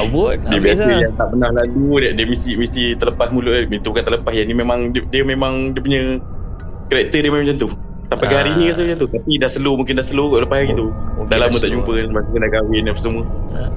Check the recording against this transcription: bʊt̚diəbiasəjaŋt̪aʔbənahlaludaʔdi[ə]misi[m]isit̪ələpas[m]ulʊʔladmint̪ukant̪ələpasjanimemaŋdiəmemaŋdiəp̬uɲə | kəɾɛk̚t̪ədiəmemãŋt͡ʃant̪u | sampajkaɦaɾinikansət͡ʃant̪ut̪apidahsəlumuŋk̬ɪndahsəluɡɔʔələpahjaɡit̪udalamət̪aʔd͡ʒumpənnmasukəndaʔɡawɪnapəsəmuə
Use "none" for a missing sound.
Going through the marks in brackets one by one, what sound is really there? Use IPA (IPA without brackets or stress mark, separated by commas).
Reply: ə, m, m